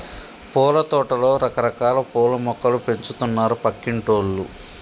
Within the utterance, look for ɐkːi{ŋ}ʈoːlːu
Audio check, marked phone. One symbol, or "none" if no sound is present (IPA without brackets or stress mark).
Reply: ɳ